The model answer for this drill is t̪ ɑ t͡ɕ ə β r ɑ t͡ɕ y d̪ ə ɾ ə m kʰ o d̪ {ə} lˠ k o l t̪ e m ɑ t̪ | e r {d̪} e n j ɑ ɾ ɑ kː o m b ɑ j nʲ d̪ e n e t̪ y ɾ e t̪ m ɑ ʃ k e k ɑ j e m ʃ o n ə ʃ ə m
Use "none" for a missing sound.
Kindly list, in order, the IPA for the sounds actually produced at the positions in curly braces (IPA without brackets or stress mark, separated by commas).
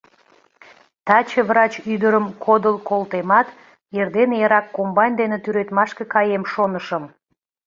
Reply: ə, d̪